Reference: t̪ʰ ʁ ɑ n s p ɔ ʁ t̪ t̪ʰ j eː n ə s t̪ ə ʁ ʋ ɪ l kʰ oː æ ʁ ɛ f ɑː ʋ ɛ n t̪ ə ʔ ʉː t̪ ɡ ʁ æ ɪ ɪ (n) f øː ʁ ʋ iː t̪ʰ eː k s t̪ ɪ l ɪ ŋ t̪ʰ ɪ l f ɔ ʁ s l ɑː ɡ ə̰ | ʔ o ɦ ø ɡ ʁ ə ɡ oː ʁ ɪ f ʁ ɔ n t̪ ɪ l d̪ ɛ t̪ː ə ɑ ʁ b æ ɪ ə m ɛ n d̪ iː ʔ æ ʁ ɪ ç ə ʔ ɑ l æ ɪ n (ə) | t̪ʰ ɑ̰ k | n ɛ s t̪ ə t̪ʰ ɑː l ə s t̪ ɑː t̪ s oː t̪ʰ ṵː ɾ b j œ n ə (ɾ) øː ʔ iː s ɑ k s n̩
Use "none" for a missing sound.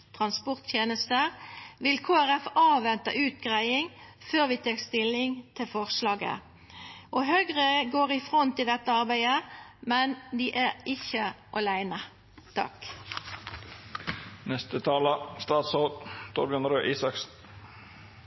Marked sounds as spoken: ŋ, ə, ɾ

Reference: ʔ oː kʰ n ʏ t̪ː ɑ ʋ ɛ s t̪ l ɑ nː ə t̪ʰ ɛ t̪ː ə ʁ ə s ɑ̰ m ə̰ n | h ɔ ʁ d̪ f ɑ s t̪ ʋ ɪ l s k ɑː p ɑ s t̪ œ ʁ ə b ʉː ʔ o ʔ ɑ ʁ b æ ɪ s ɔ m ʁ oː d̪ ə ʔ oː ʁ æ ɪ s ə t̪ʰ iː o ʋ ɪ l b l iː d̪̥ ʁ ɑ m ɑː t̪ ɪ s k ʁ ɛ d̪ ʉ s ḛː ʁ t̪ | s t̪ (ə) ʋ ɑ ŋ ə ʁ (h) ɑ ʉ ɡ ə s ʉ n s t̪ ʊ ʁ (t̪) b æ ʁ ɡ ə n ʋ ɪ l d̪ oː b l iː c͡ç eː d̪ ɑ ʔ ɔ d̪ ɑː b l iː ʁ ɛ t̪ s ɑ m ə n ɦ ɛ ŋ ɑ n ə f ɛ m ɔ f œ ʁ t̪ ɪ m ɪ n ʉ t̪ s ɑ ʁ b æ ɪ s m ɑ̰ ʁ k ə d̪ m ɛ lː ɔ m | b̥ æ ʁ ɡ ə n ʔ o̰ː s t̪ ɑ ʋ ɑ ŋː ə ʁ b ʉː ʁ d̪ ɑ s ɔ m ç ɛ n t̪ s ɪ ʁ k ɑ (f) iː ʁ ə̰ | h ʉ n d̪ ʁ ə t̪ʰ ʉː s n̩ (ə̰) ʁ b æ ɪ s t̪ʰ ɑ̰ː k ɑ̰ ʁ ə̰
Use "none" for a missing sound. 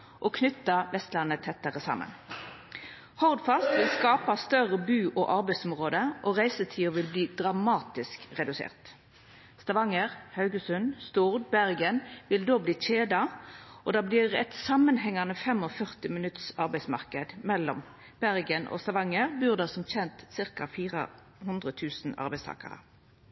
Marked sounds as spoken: ɑ, h, d̪, f, ɑ̰

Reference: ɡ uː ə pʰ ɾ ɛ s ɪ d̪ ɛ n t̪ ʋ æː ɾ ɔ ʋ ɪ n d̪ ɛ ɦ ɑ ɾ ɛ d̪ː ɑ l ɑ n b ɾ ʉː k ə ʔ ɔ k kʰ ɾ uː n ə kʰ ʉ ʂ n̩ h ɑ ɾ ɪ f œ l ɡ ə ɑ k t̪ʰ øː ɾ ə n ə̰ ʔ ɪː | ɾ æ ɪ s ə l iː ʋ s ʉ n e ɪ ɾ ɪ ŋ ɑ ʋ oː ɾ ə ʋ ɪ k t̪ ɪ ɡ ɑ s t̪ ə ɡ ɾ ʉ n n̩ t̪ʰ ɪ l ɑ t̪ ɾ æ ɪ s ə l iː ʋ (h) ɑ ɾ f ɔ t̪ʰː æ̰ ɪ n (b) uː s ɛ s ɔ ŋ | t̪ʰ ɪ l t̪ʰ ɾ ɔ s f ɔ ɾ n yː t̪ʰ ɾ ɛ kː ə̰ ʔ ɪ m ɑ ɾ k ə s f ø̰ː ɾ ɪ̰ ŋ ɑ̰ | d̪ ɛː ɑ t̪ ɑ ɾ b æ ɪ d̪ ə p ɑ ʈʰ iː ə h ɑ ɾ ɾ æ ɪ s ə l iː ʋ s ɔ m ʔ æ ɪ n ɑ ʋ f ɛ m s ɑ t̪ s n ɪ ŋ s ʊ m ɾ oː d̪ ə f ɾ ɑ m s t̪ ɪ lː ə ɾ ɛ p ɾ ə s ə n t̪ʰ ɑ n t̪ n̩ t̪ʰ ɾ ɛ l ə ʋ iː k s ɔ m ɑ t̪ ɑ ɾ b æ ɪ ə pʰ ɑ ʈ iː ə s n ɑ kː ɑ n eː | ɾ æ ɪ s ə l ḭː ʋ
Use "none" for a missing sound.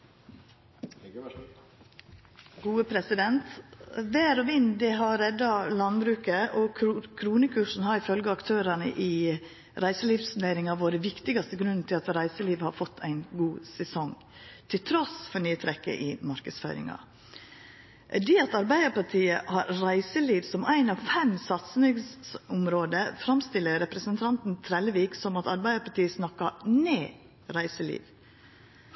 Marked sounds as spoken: h, ɡ

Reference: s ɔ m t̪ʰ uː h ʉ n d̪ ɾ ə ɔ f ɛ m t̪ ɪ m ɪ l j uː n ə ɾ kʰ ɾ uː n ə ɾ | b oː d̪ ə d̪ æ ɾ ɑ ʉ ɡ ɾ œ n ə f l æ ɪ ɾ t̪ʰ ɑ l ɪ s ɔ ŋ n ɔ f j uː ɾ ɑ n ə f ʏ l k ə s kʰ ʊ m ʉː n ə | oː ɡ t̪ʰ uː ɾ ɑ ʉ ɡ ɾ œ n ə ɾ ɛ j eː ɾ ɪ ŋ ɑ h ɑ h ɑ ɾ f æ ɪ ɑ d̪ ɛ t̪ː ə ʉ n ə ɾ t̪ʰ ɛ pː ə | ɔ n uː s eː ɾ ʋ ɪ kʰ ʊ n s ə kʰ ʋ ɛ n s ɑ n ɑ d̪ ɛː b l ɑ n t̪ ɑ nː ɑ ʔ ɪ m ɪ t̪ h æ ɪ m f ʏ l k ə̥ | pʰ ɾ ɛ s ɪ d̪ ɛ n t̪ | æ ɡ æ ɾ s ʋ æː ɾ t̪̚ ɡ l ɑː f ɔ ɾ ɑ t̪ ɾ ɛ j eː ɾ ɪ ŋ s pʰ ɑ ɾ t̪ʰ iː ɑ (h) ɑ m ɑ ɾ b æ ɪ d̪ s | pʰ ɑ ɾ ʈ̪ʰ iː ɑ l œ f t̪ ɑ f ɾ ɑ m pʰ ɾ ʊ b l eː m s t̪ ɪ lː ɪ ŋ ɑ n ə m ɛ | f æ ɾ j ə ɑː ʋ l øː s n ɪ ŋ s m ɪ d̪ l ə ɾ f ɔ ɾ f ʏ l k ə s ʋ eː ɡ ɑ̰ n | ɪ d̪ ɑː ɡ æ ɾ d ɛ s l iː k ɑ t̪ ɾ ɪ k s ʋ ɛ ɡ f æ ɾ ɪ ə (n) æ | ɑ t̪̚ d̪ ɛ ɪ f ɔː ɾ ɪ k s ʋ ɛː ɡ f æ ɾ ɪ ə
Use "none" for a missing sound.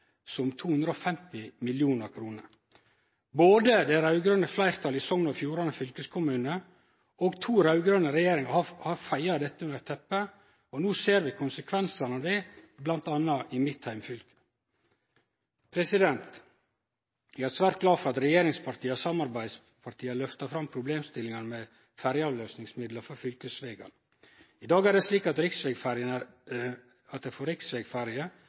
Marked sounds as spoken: s, n

